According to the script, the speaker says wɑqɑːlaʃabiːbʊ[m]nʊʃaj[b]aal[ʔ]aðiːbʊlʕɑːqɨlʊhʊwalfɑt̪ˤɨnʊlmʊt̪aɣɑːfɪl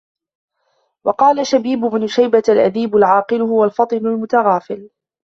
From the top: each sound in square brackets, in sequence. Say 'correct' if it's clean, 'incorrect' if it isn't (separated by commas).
incorrect, correct, correct